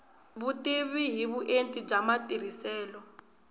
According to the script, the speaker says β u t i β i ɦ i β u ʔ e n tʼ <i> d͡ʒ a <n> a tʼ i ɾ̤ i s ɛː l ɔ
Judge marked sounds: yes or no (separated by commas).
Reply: yes, no